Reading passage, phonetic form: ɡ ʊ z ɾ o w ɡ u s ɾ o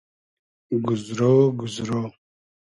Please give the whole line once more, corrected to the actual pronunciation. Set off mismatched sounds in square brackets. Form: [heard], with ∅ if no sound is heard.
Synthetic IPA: ɡ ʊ z ɾ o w ɡ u [z] ɾ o